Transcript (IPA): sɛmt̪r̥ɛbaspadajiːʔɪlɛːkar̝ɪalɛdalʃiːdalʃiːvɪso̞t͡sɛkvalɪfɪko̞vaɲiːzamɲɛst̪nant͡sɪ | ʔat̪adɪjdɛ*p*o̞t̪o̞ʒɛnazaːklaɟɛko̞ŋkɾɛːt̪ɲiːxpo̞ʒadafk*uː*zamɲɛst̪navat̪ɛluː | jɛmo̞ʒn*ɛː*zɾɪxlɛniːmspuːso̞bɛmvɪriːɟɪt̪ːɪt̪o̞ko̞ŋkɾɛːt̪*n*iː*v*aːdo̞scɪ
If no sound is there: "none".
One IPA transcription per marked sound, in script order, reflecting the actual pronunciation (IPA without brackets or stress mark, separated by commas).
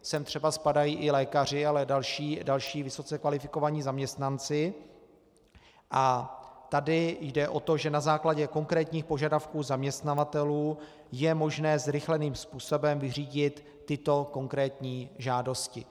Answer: ʔ, uː, ɛː, ɲ, ʒ